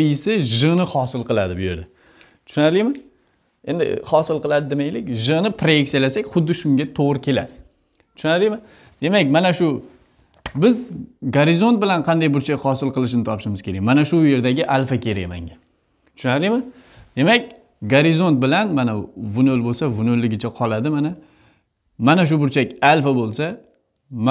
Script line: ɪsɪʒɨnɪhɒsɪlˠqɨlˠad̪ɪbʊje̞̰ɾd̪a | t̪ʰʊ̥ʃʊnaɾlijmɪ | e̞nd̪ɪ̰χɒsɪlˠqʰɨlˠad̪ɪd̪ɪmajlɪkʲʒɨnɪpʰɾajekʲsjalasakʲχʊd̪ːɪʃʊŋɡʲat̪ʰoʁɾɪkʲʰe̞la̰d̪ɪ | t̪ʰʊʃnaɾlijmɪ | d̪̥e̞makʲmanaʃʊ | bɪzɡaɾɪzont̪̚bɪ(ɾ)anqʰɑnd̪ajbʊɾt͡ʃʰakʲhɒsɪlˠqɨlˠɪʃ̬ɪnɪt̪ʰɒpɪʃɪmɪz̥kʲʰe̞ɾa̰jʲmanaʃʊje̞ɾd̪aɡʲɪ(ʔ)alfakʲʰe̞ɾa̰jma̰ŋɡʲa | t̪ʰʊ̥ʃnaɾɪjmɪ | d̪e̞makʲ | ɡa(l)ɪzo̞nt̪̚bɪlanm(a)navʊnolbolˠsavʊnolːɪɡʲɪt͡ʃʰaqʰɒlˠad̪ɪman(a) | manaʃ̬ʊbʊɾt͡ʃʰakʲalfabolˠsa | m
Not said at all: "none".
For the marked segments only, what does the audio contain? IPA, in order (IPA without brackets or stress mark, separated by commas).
l, ʔ, ɾ, a, a